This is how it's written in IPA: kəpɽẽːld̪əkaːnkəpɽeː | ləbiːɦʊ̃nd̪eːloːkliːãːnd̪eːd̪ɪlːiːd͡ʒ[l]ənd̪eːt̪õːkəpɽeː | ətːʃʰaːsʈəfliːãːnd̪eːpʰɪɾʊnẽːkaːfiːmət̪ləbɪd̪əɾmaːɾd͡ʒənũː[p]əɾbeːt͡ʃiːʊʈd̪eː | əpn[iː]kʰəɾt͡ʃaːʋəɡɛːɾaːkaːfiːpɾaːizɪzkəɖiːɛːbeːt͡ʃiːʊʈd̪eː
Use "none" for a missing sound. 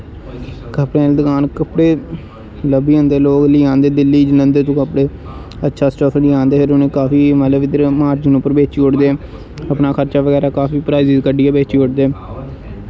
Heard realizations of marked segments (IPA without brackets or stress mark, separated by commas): l, p, aː